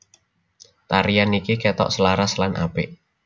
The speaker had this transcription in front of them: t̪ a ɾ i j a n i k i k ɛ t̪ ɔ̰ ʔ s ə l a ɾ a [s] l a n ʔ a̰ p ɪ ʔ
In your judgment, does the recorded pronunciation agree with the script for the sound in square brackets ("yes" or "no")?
yes